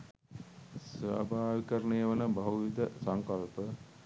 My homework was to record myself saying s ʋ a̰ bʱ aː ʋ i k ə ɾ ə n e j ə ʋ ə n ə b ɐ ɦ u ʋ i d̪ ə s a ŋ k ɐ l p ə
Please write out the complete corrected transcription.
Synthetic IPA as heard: s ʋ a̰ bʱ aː ʋ i k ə ɾ ə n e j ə ʋ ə n ə b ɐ ɦ u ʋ i d̪ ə s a ŋ k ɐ l p ə